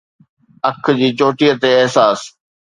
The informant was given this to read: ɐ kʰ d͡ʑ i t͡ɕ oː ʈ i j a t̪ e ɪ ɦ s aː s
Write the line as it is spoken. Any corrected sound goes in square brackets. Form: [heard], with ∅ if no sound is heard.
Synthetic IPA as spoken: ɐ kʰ d͡ʑ [iː] t͡ɕ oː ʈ i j [ə] t̪ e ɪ ɦ s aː s